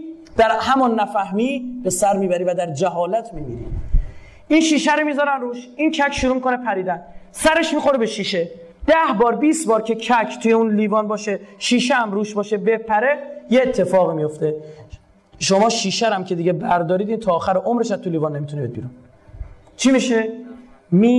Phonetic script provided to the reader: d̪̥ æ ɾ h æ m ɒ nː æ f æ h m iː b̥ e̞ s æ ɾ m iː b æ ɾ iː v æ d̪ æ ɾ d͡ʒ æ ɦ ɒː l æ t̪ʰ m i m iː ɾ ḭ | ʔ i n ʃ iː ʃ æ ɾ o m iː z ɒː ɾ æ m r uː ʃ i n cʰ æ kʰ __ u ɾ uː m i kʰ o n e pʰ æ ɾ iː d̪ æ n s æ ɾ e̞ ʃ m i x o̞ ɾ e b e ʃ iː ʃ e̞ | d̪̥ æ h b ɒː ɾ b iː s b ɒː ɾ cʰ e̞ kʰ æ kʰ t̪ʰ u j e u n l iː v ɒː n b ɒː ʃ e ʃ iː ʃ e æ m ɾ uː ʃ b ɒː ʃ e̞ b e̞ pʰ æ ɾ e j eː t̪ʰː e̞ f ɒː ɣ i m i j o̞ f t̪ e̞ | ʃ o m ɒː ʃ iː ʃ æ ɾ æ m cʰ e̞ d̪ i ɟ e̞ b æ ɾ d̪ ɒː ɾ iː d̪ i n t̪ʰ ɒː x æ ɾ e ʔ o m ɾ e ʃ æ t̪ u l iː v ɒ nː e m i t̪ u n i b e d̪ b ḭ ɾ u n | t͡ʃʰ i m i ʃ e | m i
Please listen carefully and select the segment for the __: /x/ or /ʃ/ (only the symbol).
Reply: ʃ